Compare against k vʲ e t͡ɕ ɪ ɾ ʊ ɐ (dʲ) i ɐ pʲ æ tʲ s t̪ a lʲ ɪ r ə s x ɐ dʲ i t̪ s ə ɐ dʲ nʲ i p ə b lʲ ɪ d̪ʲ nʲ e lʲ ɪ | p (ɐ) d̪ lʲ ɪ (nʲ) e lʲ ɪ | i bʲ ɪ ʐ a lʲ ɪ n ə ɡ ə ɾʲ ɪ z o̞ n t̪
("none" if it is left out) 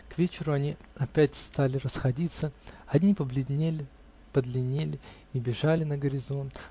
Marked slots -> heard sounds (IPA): nʲ, ə, nʲ

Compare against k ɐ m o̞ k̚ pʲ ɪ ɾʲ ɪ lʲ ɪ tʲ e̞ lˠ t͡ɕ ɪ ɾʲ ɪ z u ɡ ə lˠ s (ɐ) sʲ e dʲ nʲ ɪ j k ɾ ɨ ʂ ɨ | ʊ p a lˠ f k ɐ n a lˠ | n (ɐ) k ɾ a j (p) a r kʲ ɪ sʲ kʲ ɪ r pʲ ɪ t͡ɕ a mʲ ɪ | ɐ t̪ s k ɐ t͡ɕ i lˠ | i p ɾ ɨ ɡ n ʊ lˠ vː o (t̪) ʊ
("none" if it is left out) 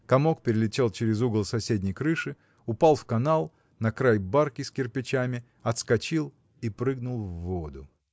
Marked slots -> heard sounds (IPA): ɐ, ɐ, b, d̪

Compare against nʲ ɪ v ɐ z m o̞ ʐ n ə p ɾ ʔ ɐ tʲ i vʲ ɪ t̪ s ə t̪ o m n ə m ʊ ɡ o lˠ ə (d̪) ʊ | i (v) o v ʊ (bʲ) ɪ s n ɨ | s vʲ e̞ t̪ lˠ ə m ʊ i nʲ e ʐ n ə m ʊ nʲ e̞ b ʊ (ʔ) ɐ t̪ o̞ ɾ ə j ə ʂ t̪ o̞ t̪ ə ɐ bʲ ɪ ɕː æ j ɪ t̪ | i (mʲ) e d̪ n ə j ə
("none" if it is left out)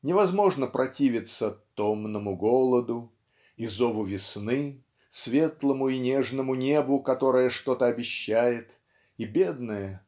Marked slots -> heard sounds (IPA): d̪, z, vʲ, k, bʲ

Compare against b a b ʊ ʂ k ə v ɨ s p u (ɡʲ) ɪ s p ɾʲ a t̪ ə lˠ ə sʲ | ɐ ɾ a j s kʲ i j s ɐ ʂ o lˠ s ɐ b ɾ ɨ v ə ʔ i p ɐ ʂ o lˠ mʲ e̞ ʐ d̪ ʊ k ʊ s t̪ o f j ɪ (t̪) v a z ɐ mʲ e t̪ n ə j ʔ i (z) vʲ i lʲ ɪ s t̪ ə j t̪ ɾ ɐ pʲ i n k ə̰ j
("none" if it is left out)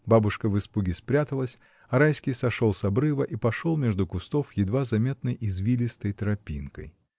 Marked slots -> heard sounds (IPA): ɡʲ, d̪, z

